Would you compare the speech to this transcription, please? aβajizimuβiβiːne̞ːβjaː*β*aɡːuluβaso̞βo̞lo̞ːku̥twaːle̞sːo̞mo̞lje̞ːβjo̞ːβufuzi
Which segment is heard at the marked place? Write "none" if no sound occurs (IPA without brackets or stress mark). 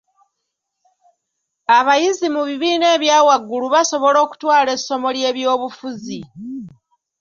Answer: w